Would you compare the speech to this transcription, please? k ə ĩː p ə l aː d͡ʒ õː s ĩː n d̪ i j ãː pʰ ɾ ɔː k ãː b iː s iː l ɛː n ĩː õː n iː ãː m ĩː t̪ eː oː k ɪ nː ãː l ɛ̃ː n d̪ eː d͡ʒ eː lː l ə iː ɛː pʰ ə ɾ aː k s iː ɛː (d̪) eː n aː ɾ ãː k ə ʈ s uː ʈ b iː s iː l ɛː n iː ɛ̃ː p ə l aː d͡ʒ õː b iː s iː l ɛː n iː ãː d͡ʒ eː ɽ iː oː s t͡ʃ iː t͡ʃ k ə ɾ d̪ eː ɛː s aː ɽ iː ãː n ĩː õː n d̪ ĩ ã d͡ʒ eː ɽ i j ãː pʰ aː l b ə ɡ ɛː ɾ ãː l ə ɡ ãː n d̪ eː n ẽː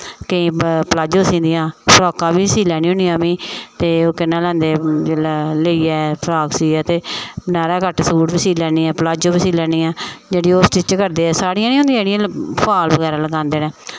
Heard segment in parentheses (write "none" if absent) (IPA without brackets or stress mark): t̪